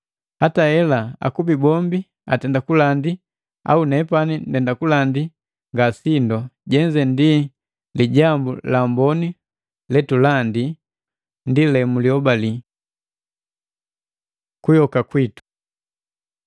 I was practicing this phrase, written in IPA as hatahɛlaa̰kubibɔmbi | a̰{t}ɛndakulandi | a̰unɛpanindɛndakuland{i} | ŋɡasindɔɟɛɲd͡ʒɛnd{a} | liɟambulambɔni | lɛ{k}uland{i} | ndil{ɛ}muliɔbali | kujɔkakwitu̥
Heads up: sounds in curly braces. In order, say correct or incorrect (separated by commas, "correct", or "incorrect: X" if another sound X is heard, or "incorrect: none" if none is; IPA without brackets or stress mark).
correct, correct, incorrect: i, incorrect: t, correct, correct